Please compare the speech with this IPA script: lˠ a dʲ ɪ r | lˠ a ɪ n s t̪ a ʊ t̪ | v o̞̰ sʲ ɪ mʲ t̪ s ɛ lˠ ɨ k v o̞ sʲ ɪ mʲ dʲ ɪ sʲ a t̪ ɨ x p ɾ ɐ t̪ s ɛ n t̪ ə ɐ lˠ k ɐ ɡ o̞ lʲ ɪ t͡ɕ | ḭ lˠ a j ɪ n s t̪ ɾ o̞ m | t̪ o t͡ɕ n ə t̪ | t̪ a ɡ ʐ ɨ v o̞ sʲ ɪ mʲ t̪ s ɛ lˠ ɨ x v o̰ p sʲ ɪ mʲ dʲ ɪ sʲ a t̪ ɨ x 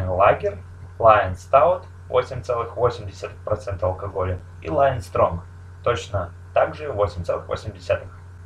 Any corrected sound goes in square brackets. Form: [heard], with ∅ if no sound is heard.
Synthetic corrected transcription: lˠ a [ɡʲ] ɪ r | lˠ a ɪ n s t̪ a ʊ t̪ | v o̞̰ sʲ ɪ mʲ t̪ s ɛ lˠ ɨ [x] v o̞ sʲ ɪ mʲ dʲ ɪ sʲ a t̪ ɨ x p ɾ ɐ t̪ s ɛ n t̪ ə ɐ lˠ k ɐ ɡ o̞ lʲ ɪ [∅] | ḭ lˠ a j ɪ n s t̪ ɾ o̞ m | t̪ o t͡ɕ n ə [∅] | t̪ a ɡ ʐ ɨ v o̞ sʲ ɪ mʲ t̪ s ɛ lˠ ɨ x v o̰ [∅] sʲ ɪ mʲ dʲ ɪ sʲ a t̪ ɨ x